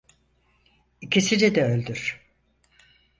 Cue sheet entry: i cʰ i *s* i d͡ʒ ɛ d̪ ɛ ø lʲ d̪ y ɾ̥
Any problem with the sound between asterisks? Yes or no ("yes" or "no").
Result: no